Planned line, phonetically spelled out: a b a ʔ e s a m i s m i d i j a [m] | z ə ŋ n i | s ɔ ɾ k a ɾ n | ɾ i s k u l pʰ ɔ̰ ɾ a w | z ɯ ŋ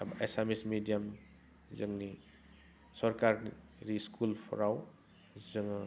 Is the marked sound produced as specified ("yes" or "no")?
yes